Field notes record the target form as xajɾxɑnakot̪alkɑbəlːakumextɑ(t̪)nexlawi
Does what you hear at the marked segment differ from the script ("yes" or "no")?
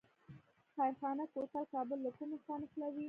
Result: yes